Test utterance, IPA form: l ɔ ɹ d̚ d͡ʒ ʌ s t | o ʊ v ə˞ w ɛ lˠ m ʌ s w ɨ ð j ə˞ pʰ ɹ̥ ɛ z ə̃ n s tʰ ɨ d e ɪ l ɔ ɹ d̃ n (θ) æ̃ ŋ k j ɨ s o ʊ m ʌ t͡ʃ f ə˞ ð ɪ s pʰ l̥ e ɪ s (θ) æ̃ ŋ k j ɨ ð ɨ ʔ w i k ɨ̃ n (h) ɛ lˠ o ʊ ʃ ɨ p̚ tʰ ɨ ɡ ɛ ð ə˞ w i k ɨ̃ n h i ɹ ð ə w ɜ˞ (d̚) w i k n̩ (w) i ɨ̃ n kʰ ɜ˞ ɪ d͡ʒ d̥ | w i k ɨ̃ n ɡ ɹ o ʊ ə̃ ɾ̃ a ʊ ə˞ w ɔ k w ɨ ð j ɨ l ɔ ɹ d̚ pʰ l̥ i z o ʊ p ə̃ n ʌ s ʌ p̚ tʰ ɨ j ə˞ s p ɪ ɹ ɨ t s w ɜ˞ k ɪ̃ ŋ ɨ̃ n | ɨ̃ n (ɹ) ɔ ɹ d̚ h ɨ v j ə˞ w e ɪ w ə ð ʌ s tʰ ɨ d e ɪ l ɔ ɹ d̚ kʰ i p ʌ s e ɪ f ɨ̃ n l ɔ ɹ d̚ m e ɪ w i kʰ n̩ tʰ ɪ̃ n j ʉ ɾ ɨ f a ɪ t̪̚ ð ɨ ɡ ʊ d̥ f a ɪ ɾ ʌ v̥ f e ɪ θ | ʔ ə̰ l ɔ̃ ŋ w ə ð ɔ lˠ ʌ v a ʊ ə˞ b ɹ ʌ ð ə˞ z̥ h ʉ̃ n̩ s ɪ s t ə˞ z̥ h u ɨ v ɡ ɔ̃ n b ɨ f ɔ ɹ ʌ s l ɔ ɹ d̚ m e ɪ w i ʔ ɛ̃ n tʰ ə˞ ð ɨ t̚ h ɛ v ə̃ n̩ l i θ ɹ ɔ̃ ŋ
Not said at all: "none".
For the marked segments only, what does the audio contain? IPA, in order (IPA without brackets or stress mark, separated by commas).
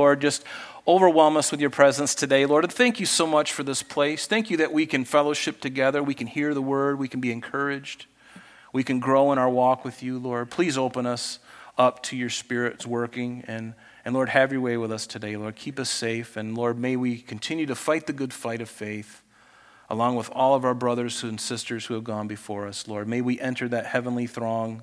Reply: θ, θ, f, d̚, b, l